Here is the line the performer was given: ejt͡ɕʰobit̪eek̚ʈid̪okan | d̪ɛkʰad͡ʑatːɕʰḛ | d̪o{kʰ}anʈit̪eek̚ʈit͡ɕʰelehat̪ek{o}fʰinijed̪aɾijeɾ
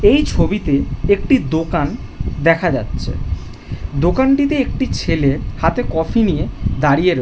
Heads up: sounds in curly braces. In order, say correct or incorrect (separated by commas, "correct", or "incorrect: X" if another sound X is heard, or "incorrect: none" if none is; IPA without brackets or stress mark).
incorrect: k, incorrect: ɔ